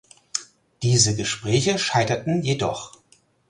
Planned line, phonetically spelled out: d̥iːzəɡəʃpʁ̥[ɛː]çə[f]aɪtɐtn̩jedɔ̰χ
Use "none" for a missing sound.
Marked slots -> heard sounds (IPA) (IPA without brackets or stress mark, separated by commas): ɛː, ʃ